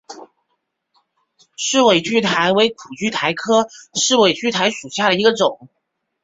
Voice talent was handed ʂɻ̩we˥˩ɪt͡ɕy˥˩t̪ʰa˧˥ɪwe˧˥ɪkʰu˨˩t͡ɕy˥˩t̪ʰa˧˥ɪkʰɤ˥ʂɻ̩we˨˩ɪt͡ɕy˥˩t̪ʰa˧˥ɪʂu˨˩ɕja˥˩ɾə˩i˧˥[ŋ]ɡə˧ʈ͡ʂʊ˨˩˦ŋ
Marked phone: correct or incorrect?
incorrect: none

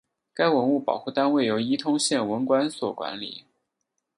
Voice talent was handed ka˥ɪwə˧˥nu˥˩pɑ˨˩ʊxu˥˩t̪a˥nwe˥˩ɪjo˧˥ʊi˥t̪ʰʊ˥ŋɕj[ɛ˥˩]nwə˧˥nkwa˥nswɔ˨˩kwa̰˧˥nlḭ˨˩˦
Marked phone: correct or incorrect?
correct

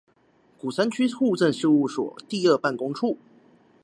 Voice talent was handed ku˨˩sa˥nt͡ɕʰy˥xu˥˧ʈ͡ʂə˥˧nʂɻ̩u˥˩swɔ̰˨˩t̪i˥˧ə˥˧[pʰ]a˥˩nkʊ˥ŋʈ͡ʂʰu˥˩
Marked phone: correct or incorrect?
incorrect: p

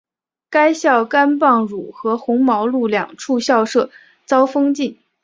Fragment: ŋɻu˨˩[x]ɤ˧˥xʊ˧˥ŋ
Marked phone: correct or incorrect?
correct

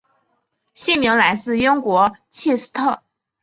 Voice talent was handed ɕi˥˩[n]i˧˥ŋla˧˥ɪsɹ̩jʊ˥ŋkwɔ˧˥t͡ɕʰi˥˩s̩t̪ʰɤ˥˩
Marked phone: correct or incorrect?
incorrect: m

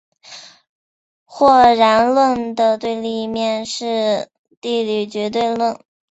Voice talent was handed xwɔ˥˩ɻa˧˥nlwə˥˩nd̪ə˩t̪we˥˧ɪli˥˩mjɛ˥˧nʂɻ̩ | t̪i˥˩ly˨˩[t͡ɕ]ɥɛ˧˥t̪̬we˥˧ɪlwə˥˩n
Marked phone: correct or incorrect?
correct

